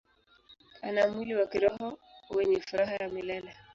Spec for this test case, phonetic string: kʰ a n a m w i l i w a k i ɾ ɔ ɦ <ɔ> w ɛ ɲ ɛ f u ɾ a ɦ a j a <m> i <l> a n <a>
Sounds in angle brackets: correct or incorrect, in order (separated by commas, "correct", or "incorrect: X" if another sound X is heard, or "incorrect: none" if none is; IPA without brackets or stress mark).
correct, correct, correct, correct